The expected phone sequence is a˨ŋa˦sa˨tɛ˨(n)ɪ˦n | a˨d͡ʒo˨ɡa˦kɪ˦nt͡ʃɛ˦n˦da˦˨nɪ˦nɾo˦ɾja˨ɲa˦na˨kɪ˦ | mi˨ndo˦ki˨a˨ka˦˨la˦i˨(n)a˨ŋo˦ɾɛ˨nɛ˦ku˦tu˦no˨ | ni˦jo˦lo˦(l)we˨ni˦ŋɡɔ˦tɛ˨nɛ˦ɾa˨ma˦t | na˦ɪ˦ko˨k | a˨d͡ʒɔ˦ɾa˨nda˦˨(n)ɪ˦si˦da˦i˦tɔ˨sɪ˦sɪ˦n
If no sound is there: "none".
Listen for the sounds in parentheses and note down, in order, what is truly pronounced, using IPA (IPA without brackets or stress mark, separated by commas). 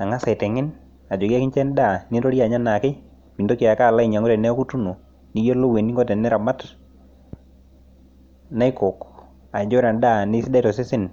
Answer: ŋ, ɲ, none, n